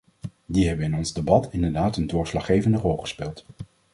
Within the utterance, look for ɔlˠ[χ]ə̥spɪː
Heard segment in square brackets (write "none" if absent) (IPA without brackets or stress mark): χ